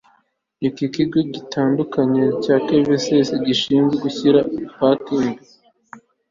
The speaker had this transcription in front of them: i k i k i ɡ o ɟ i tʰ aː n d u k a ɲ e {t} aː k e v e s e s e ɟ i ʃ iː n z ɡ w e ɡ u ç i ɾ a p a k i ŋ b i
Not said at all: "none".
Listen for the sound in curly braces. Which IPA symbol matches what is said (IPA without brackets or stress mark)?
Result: c